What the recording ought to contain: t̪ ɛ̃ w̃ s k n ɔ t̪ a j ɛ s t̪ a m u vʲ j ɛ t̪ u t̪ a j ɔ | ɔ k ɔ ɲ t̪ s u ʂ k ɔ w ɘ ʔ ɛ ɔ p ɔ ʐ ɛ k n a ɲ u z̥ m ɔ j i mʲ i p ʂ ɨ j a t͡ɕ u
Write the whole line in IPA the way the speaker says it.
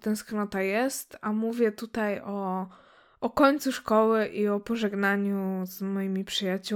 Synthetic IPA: t̪ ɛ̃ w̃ s k n ɔ t̪ a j ɛ s t̪ a m u vʲ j ɛ t̪ u t̪ a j ɔ | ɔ k ɔ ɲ t̪ s u ʂ k ɔ w ɘ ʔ i ɔ p ɔ ʐ ɛ ɡ n a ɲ u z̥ m ɔ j i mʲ i p ʂ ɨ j a t͡ɕ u